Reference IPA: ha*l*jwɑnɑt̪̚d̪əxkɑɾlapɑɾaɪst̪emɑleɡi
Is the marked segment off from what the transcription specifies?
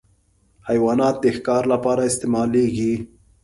yes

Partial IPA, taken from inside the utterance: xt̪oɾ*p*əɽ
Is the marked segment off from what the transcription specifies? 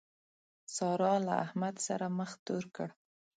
yes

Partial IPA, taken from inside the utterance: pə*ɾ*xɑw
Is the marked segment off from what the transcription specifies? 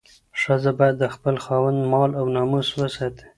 yes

